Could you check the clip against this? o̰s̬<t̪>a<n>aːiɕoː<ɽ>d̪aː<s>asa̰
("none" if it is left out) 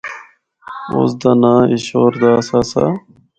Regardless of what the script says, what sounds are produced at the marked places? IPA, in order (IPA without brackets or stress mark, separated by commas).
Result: d̪, n, ɾ, s